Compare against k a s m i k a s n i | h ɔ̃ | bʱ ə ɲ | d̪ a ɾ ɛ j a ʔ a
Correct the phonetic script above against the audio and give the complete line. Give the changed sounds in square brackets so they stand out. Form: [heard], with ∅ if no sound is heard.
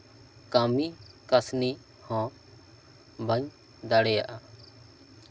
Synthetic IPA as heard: k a [∅] m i k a s n i | h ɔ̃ | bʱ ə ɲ | d̪ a [ɽ] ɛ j a ʔ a